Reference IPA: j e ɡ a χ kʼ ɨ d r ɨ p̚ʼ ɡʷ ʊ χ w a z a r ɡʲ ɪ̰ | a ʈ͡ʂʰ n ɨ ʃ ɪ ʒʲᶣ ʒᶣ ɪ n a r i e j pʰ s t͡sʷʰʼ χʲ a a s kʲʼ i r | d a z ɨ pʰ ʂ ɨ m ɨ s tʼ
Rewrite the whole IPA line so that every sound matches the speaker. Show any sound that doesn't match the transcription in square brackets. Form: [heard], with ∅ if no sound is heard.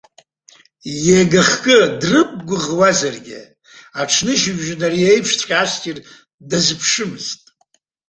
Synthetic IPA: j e ɡ a χ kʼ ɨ d r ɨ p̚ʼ ɡʷ ʊ [ʁ] w a z a r ɡʲ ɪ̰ | a ʈ͡ʂʰ n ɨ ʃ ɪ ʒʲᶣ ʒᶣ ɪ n a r i e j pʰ [ʂ] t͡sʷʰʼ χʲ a a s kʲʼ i r | d a z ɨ pʰ ʂ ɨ m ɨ [z] tʼ